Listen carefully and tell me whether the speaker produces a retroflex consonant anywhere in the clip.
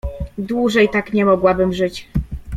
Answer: yes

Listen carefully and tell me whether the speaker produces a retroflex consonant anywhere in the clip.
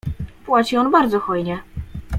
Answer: no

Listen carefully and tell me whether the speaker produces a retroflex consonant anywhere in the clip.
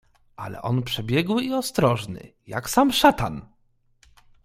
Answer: yes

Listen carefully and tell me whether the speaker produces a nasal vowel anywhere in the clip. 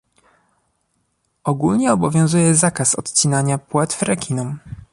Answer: yes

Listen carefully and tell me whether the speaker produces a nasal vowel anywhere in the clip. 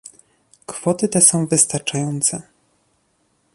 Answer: yes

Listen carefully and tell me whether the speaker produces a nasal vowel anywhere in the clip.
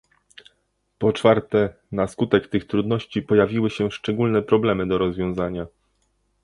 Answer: yes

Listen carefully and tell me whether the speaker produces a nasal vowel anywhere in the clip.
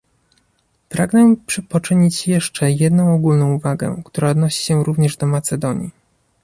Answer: yes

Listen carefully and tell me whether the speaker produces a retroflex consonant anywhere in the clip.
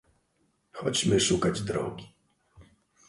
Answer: yes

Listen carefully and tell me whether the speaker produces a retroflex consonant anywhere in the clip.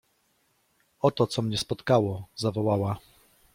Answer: no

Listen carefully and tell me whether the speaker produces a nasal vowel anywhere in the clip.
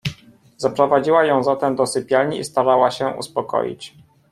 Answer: yes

